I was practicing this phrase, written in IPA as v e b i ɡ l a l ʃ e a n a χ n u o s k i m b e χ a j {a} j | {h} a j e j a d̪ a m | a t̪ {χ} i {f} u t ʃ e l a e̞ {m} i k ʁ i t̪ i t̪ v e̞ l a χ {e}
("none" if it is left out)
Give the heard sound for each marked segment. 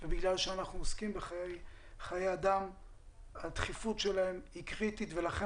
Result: e, χ, χ, f, m, e

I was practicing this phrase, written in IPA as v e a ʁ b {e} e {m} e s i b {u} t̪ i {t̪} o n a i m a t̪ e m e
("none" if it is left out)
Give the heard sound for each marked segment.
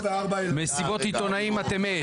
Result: a, m, o, t̪

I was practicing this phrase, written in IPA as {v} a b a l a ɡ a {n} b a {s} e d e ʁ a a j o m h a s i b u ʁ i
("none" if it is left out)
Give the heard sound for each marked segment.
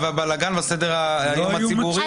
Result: v, n, s

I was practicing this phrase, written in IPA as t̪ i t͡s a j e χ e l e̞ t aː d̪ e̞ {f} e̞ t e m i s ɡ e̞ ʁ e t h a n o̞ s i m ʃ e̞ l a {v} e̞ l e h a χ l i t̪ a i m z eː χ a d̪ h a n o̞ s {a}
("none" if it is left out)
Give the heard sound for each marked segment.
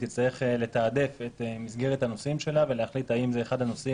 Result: f, v, i

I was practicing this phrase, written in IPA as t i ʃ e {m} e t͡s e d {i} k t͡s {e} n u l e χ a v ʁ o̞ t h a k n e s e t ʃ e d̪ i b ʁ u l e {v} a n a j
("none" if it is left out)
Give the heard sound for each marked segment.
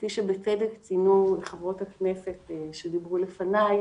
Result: b, e, i, f

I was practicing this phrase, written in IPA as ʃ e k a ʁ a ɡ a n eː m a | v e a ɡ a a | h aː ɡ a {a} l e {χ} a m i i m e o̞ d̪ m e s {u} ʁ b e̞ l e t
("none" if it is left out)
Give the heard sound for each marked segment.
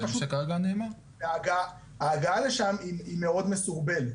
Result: a, ʃ, u

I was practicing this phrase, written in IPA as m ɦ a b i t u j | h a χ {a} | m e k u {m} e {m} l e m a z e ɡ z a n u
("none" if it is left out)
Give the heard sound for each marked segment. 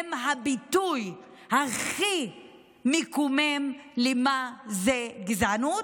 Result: i, m, m

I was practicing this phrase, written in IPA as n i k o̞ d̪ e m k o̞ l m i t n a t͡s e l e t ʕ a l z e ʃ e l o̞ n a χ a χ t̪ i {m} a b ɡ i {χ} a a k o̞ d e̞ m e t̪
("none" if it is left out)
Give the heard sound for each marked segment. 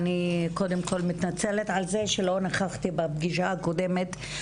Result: b, ʃ

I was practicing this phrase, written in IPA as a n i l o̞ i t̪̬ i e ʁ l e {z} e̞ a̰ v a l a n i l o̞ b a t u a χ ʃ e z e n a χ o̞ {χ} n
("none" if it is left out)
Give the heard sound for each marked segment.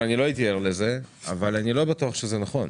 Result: z, none

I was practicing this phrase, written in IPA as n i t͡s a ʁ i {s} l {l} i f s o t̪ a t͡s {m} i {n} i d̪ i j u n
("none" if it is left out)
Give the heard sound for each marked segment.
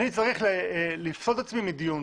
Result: χ, l, m, m

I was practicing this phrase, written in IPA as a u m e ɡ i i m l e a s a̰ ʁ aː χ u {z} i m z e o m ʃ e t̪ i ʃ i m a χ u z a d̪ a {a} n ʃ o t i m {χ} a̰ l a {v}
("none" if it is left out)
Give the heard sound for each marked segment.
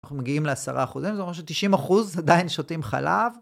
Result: z, i, χ, v

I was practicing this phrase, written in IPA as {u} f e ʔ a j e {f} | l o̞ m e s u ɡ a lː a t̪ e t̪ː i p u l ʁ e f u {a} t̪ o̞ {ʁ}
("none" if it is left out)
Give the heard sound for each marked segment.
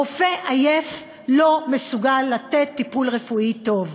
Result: o, f, i, v

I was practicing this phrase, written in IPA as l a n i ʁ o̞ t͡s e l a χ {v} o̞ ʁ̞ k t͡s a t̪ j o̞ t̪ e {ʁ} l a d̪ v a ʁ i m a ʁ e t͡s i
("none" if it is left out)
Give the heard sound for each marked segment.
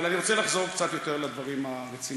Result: z, ʁ

